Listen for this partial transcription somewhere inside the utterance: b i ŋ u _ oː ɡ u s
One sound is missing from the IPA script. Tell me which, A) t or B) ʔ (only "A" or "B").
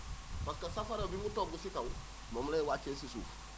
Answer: A